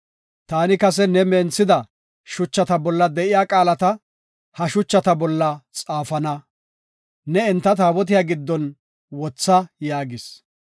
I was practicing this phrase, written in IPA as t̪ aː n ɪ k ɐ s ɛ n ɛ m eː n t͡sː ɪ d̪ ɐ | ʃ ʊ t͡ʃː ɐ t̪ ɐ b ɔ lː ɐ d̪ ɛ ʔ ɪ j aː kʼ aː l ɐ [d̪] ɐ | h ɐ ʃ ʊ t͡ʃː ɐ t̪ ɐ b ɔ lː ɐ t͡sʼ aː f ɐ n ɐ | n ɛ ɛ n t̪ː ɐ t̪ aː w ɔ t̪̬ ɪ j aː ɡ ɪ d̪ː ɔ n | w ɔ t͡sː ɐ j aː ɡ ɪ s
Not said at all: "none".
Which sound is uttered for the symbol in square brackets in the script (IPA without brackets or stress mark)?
t̪